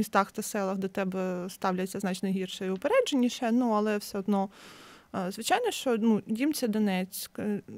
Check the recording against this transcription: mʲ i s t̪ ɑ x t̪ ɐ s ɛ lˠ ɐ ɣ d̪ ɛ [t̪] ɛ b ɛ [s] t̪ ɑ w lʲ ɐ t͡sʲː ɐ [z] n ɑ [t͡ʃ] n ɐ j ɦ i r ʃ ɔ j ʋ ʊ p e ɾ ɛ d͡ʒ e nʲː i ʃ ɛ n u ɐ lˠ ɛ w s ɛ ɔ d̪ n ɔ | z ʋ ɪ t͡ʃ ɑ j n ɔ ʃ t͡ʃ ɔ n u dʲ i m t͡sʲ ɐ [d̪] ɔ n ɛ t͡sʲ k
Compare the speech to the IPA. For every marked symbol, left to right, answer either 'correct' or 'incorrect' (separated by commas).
correct, correct, correct, correct, correct